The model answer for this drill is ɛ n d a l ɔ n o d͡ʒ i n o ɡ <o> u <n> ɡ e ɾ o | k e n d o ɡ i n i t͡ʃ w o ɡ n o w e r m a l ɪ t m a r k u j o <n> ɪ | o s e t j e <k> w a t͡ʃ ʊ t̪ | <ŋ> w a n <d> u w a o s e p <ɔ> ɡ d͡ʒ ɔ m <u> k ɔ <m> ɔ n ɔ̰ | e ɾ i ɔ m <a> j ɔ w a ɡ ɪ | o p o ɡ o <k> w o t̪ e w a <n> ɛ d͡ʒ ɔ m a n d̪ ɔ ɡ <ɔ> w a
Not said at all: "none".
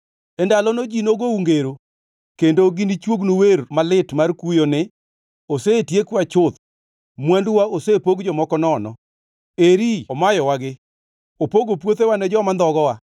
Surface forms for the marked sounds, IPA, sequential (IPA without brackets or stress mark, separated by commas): o, ŋ, n, k, m, d, o, ɔ, n, a, p, n, ɔ